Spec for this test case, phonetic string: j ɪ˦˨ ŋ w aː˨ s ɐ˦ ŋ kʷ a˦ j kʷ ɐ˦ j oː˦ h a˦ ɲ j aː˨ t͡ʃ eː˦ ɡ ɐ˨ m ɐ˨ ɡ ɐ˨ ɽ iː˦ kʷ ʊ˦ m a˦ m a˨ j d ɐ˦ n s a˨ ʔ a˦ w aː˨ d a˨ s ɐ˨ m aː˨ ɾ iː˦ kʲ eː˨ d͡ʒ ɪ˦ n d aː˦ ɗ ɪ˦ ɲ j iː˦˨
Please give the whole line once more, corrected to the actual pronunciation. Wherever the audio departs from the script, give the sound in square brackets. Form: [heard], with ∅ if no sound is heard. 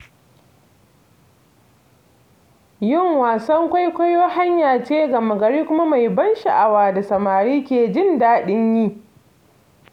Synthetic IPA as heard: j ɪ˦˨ ŋ w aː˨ s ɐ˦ ŋ kʷ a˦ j kʷ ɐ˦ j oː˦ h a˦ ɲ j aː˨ t͡ʃ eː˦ ɡ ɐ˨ m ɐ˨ ɡ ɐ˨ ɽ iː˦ kʷ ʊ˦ m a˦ m a˨ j [b] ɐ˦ n [ʃ] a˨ ʔ [a˨] w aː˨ d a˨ s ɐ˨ m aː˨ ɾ iː˦ kʲ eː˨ d͡ʒ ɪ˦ n d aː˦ ɗ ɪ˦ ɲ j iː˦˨